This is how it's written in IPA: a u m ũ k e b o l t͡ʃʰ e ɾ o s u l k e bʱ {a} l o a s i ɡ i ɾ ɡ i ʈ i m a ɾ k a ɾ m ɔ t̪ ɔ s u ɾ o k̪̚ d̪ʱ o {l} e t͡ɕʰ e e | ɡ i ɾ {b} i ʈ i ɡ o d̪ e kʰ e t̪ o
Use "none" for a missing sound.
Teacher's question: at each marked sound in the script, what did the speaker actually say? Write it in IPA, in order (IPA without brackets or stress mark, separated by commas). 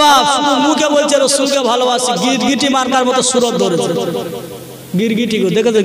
a, ɾ, ɡ